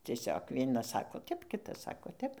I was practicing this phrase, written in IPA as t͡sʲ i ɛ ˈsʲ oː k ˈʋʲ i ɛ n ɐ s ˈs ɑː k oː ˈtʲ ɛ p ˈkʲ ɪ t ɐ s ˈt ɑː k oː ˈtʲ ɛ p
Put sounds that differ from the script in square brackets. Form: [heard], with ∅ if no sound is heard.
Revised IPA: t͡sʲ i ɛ ˈsʲ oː k ˈʋʲ i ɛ n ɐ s ˈs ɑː k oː ˈtʲ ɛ p ˈkʲ ɪ t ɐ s [ˈs] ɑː k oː ˈtʲ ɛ p